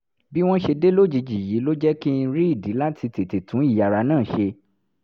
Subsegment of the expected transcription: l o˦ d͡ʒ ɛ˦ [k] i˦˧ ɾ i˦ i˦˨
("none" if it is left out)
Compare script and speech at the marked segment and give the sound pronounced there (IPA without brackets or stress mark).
k